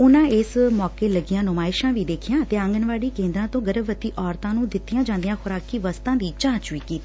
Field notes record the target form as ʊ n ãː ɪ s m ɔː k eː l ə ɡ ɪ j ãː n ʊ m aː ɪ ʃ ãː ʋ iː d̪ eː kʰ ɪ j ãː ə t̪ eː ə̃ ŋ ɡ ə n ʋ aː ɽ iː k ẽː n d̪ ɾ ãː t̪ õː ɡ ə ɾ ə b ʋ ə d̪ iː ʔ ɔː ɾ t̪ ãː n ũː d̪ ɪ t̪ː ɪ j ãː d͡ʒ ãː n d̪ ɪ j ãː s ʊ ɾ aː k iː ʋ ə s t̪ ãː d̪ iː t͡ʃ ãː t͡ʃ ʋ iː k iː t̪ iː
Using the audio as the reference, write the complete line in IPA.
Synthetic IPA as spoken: ʊ n ãː ɪ s m ɔː k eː l ə ɡ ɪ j ãː n ʊ m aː ɪ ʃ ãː ʋ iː d̪ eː kʰ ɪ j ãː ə t̪ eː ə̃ ŋ ɡ ə n ʋ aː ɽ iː k ẽː n d̪ ɾ ãː t̪ õː ɡ ə ɾ ə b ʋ ə t̪ iː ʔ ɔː ɾ t̪ ãː n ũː d̪ ɪ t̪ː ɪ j ãː d͡ʒ ãː n d̪ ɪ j ãː x ʊ ɾ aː k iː ʋ ə s t̪ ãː d̪ iː t͡ʃ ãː t͡ʃ ʋ iː k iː t̪ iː